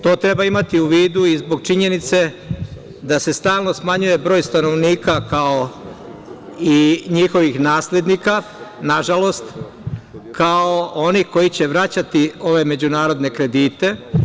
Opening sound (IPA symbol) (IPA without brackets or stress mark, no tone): t̪